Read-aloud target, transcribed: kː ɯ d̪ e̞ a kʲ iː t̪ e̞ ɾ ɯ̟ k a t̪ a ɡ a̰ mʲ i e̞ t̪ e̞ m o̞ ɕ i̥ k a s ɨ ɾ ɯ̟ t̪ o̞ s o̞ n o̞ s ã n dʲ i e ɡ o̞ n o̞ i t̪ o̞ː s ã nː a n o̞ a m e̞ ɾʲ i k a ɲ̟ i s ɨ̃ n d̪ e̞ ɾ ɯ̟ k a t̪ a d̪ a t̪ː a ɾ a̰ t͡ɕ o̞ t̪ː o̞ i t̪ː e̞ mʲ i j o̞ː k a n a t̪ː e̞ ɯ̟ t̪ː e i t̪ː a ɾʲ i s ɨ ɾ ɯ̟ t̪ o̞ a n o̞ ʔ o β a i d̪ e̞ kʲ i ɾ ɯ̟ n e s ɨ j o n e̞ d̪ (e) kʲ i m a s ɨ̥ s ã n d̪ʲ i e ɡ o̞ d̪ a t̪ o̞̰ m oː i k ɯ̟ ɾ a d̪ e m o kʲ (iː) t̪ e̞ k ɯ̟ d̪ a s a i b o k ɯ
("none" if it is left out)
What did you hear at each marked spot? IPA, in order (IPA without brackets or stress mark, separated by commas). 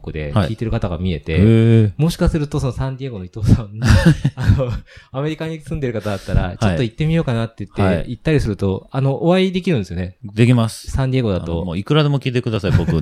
e, iː